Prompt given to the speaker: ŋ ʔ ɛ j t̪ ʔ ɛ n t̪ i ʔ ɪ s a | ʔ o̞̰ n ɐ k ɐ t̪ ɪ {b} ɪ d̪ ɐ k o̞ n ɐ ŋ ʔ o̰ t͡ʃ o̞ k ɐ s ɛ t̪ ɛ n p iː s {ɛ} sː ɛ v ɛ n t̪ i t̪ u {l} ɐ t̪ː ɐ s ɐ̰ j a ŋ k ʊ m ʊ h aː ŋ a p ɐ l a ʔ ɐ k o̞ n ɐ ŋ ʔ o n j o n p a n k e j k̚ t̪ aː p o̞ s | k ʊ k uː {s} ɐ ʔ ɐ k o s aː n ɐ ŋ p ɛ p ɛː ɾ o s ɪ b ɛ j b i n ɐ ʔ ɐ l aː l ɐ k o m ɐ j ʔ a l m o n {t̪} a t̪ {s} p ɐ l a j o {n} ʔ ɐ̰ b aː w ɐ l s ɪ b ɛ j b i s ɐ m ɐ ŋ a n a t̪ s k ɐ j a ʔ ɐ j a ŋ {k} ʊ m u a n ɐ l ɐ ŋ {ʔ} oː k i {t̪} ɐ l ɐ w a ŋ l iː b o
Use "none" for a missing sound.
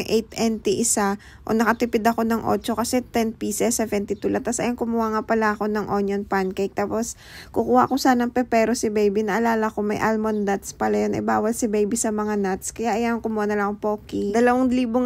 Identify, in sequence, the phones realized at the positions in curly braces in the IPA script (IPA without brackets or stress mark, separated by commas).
p, ɛ, l, h, d̪, s, n, k, p, d̪